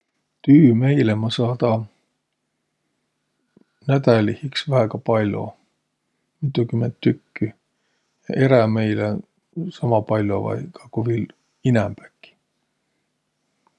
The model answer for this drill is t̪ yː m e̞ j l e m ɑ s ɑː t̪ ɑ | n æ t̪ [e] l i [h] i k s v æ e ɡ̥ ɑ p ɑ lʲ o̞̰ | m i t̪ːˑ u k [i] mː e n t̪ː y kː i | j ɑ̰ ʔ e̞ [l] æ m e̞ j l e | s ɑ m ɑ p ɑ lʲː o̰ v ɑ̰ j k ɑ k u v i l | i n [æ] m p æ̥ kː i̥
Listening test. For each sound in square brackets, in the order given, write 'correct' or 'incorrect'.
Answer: incorrect: æ, correct, incorrect: y, incorrect: ɾ, correct

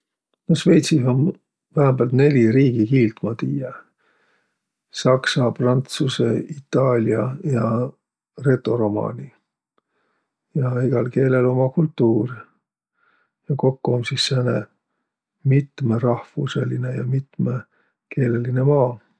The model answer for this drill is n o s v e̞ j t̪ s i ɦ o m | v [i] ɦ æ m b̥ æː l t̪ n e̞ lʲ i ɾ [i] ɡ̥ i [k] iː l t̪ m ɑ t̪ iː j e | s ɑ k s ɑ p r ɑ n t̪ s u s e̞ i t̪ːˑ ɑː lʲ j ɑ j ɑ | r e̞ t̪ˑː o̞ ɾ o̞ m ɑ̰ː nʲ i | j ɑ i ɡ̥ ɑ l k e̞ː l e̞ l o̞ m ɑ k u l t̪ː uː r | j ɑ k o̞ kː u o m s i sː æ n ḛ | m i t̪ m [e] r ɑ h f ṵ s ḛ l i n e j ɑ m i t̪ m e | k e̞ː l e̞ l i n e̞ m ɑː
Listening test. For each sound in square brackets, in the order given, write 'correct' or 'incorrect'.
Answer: incorrect: æ, incorrect: iː, correct, correct

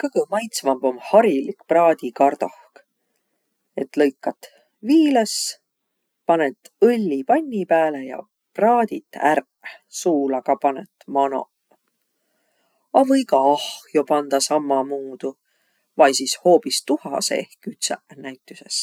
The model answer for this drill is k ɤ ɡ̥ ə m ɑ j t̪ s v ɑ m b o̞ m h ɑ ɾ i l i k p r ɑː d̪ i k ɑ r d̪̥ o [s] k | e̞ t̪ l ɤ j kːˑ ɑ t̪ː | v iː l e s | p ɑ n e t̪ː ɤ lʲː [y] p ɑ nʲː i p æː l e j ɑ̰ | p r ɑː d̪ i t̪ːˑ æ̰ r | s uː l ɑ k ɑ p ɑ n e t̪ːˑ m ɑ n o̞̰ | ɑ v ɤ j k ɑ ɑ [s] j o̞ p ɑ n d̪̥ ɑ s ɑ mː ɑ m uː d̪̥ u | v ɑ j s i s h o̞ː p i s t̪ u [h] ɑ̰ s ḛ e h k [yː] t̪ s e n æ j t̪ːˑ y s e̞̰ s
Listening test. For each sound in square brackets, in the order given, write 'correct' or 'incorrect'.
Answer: incorrect: h, incorrect: i, incorrect: h, correct, incorrect: y

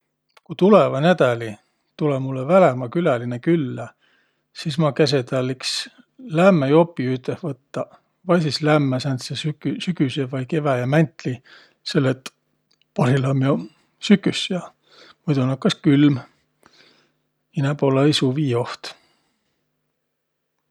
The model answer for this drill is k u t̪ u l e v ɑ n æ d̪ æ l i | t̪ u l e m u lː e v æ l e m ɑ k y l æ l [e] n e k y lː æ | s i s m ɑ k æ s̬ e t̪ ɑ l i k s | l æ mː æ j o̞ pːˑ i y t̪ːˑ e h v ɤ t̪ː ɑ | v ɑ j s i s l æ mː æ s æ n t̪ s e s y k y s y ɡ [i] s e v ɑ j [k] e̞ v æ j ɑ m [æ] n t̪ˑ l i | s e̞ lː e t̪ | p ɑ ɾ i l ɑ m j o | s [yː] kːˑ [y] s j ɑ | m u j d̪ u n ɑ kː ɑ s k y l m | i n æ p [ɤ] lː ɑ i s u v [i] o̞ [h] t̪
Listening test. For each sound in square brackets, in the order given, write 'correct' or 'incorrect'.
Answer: incorrect: i, incorrect: y, correct, correct, incorrect: y, correct, incorrect: o, incorrect: iː, correct

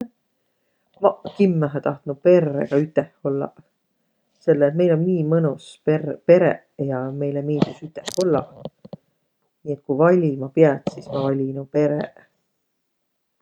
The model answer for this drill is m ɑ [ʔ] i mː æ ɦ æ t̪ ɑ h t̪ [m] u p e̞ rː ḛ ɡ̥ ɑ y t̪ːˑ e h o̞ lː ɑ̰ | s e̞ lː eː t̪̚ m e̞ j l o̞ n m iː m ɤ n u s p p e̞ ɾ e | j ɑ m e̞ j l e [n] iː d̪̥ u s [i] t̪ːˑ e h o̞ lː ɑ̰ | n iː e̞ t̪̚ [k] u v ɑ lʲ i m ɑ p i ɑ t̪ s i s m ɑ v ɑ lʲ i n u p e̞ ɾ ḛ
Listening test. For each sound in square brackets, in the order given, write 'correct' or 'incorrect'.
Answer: incorrect: k, incorrect: n, incorrect: m, incorrect: y, correct

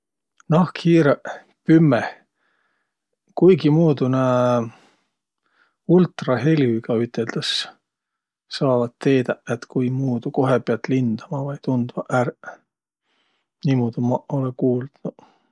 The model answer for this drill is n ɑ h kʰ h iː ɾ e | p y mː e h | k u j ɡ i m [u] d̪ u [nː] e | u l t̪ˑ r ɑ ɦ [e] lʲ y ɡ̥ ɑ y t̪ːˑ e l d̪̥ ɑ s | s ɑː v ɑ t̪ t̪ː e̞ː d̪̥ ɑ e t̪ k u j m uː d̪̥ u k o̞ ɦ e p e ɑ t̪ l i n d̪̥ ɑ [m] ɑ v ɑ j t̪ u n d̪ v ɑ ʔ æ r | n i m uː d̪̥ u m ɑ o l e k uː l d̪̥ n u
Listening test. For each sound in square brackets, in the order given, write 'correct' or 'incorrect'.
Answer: incorrect: uː, incorrect: n, correct, correct

